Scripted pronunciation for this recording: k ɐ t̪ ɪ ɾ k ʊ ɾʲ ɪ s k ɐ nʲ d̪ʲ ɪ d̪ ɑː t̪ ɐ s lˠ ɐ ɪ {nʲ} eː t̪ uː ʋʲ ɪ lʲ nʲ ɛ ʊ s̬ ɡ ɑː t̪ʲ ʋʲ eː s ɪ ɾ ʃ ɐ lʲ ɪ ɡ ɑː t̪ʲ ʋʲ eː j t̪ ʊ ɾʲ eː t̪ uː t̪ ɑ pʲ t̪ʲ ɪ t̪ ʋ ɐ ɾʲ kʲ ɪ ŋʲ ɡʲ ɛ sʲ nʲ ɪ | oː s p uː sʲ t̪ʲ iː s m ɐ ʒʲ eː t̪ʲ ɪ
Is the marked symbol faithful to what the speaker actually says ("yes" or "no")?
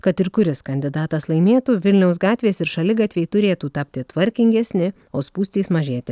no